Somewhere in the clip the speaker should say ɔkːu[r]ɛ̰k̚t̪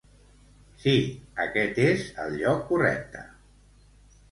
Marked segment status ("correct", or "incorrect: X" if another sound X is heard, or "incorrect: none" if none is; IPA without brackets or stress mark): correct